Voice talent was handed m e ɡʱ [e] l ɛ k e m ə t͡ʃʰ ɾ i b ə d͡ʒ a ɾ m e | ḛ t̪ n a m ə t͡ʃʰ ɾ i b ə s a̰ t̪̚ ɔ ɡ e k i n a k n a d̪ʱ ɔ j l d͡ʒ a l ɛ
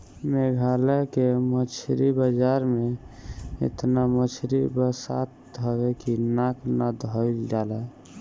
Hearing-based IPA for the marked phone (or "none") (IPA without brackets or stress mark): a